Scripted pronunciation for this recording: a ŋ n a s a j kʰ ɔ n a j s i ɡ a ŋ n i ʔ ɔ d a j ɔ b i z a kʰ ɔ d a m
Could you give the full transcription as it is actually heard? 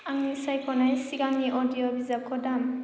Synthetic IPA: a ŋ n i s a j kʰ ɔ n a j s i ɡ a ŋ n i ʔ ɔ d i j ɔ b i z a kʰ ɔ d a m